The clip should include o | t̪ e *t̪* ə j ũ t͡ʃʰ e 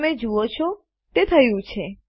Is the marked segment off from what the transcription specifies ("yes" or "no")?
yes